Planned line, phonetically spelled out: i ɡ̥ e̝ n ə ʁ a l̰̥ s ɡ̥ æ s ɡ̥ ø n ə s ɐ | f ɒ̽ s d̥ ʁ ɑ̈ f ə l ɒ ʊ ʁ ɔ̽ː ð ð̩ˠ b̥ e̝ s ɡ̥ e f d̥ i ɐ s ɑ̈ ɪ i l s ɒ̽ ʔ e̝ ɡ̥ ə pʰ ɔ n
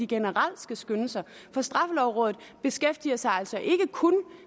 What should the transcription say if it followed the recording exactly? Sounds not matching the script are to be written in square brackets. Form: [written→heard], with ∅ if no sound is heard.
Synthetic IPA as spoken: i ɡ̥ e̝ n ə ʁ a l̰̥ s ɡ̥ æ s ɡ̥ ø n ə s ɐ | f ɒ̽ s d̥ ʁ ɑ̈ f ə l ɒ ʊ ʁ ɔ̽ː ð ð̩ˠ b̥ e̝ s ɡ̥ e f d̥ i ɐ s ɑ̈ ɪ [i→æ] l s ɒ̽ ʔ e̝ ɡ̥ ə [pʰ→kʰ] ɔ n